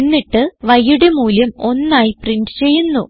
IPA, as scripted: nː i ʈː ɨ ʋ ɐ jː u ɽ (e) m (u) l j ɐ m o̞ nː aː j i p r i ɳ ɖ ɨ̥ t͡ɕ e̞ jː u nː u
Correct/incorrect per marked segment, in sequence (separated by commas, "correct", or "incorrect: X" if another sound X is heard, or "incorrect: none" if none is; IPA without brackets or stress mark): correct, incorrect: uː